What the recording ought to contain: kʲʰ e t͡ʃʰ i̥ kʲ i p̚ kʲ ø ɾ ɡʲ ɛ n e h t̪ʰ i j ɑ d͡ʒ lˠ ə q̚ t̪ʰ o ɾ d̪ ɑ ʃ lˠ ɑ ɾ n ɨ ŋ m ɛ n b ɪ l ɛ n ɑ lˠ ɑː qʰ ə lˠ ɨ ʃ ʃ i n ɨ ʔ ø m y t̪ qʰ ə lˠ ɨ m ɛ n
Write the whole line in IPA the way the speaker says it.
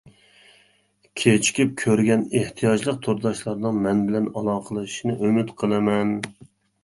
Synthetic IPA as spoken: kʲʰ e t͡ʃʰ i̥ kʲ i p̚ kʲʰ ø ɾ ɡʲ ɛ n e h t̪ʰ i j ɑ d͡ʒ lˠ ə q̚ t̪ʰ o ɾ d̪ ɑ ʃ lˠ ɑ ɾ n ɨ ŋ m ɛ n b ɪ l ɛ n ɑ lˠ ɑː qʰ ə lˠ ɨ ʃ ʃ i n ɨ ʔ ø m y t̪ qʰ ə lˠ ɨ m ɛ n